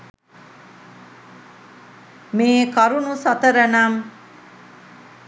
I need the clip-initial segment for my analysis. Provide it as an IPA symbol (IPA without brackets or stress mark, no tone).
m